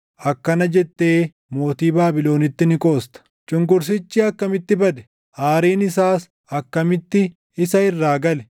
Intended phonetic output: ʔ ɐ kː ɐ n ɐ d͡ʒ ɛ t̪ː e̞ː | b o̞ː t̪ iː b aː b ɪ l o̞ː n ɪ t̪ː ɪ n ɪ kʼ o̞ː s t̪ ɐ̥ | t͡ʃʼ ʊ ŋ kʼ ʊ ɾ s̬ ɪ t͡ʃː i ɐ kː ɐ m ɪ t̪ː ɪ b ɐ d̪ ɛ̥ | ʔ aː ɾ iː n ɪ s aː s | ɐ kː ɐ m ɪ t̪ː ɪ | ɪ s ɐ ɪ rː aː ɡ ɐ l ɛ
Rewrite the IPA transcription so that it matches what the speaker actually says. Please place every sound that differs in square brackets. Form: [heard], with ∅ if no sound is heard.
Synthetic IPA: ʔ ɐ kː ɐ n ɐ d͡ʒ ɛ t̪ː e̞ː | [m] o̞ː t̪ iː b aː b ɪ l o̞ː n ɪ t̪ː ɪ n ɪ kʼ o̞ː s t̪ ɐ̥ | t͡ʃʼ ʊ ŋ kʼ ʊ ɾ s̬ ɪ t͡ʃː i ɐ kː ɐ m ɪ t̪ː ɪ b ɐ d̪ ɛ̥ | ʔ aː ɾ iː n ɪ s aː s | ɐ kː ɐ m ɪ t̪ː ɪ | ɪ s ɐ ɪ rː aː ɡ ɐ l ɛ